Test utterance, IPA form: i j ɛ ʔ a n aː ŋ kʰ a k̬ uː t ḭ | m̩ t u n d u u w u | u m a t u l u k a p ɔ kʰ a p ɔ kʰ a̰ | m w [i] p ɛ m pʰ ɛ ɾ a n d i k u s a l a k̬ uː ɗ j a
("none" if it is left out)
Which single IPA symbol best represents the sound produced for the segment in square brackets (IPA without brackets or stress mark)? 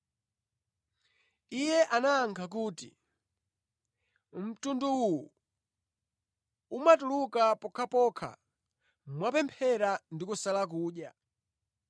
a